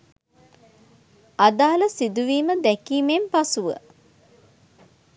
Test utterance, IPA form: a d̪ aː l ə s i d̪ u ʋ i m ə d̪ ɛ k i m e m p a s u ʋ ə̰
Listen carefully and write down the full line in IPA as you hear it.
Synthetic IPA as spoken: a d̪ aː l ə s i d̪ u ʋ iː m ə d̪ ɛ k iː m e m p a s u ʋ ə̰